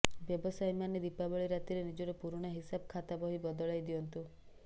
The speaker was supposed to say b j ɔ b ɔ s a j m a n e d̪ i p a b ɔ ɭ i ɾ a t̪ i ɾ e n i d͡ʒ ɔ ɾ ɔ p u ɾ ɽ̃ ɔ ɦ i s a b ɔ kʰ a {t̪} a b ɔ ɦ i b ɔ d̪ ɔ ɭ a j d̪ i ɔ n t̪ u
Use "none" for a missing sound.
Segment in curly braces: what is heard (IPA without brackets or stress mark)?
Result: t̪